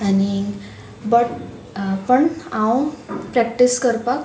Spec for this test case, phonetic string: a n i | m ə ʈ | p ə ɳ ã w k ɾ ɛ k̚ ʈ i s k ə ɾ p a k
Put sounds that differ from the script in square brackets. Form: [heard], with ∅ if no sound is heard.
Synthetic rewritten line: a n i | [b] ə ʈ | p ə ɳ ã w [p] ɾ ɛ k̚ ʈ i s k ə ɾ p a k